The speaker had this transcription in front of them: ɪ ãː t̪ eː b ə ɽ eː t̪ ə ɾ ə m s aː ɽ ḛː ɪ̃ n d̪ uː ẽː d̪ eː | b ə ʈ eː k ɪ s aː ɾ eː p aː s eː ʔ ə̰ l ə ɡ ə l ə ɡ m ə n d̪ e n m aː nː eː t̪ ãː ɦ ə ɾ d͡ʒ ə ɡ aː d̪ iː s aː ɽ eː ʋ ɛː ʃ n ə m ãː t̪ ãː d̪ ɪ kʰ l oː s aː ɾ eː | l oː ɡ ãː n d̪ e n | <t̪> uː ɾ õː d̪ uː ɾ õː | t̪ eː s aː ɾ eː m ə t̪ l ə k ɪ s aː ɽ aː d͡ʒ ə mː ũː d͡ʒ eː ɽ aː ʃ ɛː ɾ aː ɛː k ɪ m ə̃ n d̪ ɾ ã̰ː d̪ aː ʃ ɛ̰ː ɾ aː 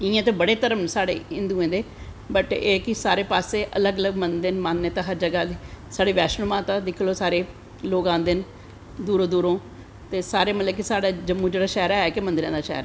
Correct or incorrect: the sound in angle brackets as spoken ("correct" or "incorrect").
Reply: incorrect